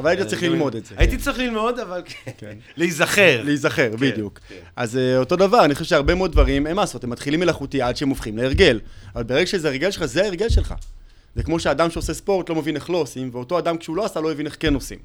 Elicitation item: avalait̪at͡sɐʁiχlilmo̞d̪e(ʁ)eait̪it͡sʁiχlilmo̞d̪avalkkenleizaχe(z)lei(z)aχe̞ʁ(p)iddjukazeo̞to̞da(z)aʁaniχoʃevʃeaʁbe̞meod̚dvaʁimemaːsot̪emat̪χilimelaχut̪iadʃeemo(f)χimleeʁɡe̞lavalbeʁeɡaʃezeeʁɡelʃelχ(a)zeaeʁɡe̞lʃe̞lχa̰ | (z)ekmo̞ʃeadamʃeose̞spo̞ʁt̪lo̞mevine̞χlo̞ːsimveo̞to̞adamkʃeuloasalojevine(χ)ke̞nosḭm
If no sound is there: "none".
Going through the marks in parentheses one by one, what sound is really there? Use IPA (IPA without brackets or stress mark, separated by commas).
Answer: z, ʁ, z, b, v, f, a, z, χ